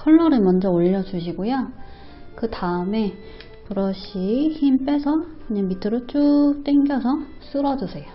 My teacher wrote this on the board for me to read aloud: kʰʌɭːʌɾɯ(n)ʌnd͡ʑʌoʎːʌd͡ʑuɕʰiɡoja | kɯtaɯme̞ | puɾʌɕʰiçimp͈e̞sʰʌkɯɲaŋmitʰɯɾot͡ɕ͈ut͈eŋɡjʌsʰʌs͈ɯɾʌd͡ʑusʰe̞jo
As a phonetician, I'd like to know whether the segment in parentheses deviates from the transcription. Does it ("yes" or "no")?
yes